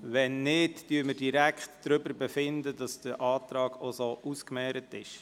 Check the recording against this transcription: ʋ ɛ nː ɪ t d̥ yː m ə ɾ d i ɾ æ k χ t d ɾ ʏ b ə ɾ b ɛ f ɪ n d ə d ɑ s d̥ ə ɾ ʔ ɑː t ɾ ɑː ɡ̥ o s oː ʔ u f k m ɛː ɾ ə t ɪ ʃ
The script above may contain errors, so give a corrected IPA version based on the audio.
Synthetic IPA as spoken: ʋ ɛ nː ɪ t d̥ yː m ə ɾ d i ɾ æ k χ t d ɾ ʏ b ə ɾ b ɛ f ɪ n d ə d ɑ s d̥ ə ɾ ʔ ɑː t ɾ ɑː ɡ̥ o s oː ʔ u s k m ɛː ɾ ə t ɪ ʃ